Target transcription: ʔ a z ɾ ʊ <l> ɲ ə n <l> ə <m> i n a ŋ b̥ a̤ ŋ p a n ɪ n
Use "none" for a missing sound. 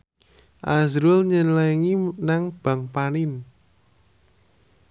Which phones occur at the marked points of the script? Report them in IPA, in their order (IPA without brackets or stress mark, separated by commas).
l, l, ŋ